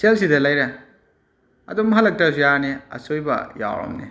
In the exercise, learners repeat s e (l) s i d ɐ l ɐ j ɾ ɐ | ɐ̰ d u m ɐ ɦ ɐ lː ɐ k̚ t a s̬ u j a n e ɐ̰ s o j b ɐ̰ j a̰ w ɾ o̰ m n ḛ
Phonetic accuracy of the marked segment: correct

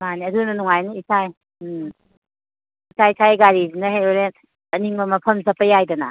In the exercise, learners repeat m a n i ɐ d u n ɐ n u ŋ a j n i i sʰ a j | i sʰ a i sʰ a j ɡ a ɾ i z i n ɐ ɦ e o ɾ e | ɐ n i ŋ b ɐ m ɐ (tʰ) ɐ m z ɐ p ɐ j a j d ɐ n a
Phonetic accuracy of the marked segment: incorrect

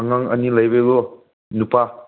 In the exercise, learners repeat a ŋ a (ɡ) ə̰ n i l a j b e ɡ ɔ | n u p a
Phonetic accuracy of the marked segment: incorrect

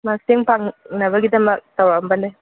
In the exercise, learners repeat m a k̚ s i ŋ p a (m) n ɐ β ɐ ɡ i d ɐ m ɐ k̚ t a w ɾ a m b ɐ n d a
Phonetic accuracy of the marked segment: incorrect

